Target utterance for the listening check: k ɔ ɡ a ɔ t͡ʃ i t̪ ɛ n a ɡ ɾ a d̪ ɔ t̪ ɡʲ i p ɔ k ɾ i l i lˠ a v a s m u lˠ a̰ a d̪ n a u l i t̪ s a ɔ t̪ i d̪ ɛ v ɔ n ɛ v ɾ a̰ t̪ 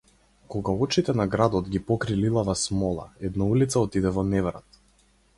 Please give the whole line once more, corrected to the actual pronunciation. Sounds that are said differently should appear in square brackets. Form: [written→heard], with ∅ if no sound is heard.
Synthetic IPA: k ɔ ɡ a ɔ t͡ʃ i t̪ ɛ n a ɡ ɾ a d̪ ɔ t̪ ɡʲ i p ɔ k ɾ i l i lˠ a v a s m [u→ɔ] lˠ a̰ [a→ɛ] d̪ n a u l i t̪ s a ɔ t̪ i d̪ ɛ v ɔ n ɛ v ɾ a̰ t̪